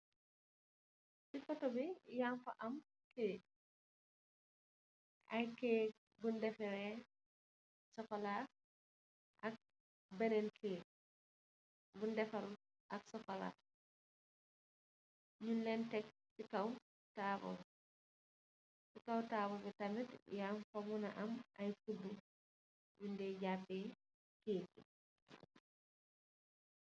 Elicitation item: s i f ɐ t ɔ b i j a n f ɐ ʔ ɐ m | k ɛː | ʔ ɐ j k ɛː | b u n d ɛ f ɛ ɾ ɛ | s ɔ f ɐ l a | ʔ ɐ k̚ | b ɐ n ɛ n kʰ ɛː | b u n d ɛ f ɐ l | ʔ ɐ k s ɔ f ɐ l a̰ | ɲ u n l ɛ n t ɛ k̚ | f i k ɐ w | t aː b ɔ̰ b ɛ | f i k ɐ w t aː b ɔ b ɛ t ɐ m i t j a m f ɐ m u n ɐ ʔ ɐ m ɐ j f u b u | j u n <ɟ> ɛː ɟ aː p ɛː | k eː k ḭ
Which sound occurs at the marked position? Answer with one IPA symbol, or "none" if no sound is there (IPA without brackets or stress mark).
d